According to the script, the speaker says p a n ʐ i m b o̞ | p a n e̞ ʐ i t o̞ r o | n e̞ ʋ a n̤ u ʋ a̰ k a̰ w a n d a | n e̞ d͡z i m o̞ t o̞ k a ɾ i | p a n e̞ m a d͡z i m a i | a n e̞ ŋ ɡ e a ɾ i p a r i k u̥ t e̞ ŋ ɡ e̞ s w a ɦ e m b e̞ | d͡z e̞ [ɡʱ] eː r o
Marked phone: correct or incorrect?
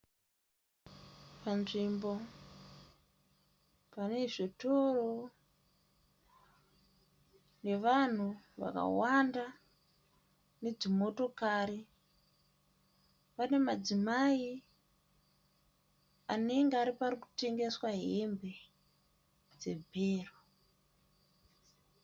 incorrect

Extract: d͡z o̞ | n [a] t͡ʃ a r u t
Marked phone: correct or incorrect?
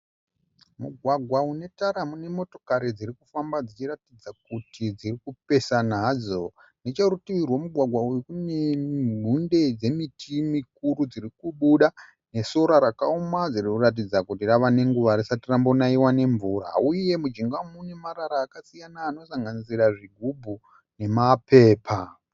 incorrect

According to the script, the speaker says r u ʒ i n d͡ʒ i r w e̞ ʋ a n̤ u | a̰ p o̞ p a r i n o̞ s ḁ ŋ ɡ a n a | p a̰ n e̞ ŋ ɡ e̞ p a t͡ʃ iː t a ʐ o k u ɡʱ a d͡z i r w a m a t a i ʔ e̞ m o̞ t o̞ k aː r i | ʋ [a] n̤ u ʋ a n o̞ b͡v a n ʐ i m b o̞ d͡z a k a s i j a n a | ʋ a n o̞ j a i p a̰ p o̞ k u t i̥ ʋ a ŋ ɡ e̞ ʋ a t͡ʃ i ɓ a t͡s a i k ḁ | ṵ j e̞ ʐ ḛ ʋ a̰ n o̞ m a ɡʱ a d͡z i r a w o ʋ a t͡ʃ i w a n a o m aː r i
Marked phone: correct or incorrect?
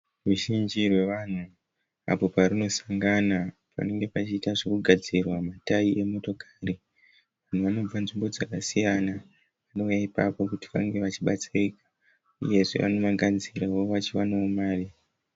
correct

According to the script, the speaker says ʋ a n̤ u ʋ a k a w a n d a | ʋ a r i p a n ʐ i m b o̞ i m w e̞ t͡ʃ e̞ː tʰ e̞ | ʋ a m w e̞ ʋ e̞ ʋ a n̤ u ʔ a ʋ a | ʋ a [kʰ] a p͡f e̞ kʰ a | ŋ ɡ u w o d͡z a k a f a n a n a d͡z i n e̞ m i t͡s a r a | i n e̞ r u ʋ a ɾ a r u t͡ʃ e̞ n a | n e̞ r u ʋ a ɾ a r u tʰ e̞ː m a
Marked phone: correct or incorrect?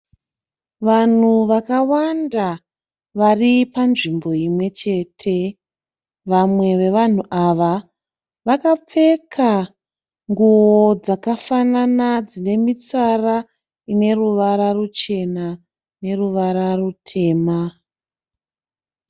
incorrect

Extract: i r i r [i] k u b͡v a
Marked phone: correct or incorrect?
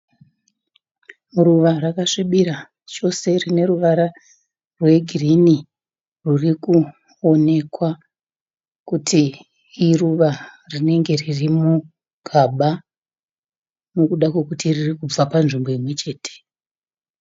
correct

